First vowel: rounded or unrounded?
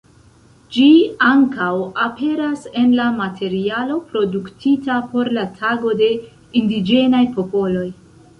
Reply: unrounded